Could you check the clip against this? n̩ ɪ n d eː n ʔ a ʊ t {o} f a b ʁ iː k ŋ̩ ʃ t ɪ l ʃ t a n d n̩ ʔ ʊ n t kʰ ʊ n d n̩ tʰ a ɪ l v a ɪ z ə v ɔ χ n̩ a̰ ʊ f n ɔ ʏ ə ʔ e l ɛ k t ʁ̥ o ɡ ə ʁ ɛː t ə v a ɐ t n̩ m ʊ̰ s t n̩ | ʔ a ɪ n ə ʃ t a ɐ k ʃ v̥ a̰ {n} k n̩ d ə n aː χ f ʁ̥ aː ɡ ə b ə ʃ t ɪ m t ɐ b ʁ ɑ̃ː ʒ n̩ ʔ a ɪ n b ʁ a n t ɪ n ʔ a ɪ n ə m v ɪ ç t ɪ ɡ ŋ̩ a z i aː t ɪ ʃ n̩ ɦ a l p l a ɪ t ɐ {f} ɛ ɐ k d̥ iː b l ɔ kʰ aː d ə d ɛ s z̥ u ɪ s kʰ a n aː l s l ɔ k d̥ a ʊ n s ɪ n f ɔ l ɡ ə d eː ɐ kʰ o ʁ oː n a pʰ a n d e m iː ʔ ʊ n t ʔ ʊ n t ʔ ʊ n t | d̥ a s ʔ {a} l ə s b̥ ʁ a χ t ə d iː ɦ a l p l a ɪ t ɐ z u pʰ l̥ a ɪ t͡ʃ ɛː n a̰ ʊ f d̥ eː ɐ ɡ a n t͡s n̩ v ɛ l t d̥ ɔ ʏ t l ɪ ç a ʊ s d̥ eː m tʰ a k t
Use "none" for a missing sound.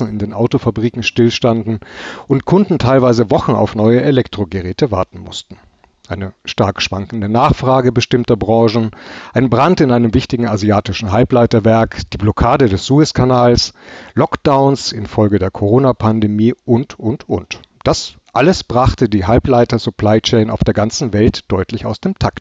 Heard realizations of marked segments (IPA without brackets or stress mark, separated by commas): o, ŋ, v, a